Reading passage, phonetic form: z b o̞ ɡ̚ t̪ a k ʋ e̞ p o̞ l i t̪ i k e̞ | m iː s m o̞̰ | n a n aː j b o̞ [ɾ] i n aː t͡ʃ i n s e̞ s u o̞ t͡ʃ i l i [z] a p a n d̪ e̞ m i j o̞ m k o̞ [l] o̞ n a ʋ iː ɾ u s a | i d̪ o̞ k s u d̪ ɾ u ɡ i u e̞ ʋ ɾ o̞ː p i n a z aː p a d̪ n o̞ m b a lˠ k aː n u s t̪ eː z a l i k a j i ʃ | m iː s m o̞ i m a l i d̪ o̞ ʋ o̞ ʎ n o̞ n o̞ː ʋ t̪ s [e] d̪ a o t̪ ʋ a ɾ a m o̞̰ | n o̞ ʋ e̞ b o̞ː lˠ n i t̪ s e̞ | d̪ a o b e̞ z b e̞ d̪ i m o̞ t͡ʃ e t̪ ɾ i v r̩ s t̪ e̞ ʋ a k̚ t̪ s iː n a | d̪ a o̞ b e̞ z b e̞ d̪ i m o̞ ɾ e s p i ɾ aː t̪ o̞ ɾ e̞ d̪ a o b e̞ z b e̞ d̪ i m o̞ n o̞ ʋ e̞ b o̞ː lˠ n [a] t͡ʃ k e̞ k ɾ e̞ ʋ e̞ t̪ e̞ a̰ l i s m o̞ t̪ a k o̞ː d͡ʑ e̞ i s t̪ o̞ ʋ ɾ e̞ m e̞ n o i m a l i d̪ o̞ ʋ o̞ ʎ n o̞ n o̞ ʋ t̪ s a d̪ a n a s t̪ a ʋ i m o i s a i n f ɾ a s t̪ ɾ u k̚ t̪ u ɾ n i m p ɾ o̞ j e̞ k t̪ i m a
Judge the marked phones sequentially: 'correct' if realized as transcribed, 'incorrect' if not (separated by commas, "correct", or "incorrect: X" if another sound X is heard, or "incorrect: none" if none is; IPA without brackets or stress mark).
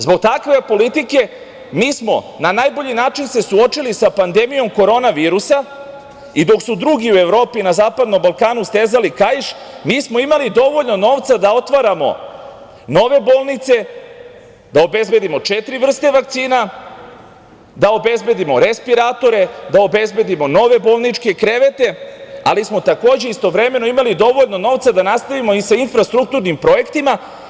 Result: incorrect: ʎ, incorrect: s, incorrect: ɾ, incorrect: a, incorrect: i